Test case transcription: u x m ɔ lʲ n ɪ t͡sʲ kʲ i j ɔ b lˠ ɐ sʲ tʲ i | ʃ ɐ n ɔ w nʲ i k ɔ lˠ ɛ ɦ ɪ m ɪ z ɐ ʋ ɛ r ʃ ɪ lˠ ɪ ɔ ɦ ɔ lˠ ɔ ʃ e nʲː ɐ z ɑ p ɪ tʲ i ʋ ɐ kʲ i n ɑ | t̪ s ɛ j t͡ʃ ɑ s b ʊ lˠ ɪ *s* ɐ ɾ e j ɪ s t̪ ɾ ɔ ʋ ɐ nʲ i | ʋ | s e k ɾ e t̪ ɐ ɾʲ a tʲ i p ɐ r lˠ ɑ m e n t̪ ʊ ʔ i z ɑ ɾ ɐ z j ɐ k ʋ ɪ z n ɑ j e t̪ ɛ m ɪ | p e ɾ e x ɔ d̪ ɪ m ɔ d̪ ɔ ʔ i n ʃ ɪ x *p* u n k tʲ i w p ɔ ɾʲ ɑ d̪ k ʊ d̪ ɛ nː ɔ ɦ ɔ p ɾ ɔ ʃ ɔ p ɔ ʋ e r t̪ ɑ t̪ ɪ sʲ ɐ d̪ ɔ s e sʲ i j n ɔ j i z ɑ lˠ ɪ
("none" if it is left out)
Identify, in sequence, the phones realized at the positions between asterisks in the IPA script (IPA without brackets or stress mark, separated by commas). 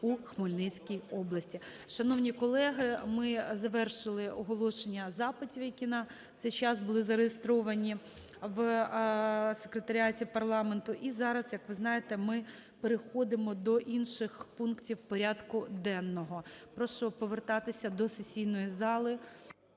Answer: z, p